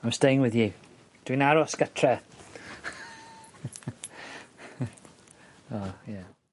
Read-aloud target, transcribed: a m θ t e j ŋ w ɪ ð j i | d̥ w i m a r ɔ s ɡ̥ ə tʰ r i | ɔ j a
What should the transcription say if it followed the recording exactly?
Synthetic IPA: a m s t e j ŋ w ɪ ð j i | d̥ w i n a ɾ ɔ s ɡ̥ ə tʰ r ɛ | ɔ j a